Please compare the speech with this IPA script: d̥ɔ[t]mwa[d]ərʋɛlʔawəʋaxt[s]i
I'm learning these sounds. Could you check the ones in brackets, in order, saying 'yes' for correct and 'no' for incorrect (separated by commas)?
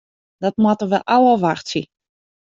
yes, no, yes